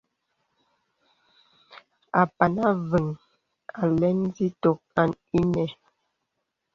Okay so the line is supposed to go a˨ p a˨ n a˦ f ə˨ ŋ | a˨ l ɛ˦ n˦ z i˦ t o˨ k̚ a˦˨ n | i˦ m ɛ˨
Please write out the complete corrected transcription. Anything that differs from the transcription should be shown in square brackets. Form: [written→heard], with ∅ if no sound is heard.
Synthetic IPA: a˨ p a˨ n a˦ [f→v] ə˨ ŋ | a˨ l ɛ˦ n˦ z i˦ t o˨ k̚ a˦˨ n | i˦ [m→n] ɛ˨